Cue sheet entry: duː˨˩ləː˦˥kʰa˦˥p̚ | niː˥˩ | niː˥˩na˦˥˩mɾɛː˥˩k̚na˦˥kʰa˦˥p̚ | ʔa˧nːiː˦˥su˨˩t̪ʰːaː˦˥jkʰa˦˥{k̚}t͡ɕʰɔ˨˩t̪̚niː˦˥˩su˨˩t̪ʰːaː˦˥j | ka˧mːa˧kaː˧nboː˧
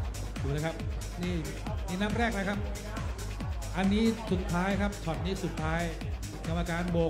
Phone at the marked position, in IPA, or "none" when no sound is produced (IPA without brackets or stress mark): p̚